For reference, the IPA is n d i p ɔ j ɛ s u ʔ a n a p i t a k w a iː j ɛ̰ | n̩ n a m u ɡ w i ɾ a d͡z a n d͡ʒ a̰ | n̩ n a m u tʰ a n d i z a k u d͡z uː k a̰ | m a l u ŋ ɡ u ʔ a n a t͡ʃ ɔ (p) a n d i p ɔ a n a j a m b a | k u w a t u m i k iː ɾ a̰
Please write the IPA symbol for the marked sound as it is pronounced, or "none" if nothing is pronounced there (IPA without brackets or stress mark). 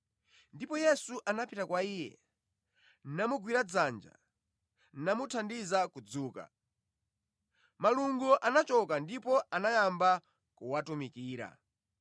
k